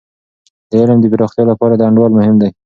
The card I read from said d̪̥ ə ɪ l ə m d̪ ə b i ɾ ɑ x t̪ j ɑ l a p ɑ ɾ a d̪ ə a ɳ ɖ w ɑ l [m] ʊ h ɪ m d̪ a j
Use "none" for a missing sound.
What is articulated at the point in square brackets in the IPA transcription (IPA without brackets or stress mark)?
m